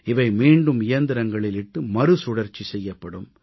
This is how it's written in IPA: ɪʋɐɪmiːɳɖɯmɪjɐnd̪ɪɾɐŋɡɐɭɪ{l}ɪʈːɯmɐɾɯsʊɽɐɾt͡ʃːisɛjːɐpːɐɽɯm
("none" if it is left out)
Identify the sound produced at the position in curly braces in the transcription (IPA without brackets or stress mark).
l